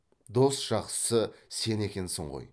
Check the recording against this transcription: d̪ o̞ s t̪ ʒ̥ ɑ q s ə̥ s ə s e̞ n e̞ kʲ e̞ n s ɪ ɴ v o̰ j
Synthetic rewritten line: d̪ o̞ s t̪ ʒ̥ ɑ q s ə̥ s ə s e̞ n e̞ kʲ e̞ n s ɪ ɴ ʁ o̰ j